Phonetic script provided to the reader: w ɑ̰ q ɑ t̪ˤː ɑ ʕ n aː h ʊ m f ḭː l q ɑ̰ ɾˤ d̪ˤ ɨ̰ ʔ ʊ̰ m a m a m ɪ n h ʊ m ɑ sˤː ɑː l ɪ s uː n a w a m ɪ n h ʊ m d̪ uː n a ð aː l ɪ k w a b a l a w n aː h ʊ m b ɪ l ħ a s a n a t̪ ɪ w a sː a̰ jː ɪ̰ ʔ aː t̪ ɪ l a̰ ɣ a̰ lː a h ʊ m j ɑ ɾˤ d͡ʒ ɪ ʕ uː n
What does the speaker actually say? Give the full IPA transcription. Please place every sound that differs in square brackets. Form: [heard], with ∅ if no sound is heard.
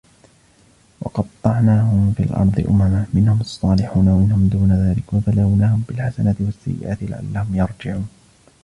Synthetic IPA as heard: w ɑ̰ q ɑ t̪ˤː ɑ ʕ n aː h ʊ m f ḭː l [ʔ] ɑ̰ ɾˤ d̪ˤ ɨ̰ ʔ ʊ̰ m a m a m ɪ n h ʊ m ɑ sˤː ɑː l ɪ [ħ] uː n a w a m ɪ n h ʊ m d̪ uː n a ð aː l ɪ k w a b a l a w n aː h ʊ m b ɪ l ħ a s a n a t̪ ɪ w a sː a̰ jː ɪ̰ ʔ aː t̪ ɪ l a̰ [ʕ] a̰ lː a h ʊ m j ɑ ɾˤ d͡ʒ ɪ ʕ uː n

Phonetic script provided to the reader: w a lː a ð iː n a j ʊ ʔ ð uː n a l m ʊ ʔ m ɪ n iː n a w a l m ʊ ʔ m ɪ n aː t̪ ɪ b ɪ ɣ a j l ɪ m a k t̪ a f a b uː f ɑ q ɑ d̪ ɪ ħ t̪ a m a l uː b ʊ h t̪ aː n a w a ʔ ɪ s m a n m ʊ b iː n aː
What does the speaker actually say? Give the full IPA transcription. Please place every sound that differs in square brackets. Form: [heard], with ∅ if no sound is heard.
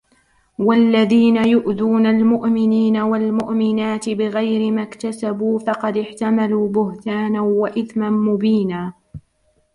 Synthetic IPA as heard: w a lː a ð iː n a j ʊ ʔ ð uː n a l m ʊ ʔ m ɪ n iː n a w a l m ʊ ʔ m ɪ n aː t̪ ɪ b ɪ ɣ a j [ɾ] ɪ m a k t̪ a [s] a b uː f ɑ q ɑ d̪ ɪ ħ t̪ a m a l uː b ʊ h t̪ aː n a w a ʔ ɪ [θ] m a n m ʊ b iː n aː

